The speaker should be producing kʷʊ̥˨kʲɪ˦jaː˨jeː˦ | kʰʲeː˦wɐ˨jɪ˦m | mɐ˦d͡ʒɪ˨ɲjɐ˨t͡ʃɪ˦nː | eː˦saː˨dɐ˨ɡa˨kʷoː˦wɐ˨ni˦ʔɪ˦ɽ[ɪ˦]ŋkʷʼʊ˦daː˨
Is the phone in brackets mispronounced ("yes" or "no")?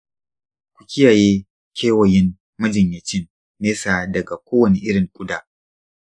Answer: yes